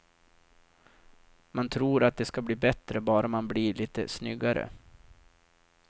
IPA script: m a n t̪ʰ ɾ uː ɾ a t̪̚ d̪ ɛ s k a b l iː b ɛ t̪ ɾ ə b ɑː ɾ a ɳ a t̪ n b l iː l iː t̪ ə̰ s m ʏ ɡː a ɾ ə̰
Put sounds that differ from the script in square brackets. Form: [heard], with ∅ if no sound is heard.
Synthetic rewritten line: m a n t̪ʰ ɾ uː ɾ a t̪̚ d̪ ɛ s k a b l iː b ɛ t̪ ɾ ə b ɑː ɾ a [m] a [∅] n b l iː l iː t̪ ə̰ s [n] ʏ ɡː a ɾ ə̰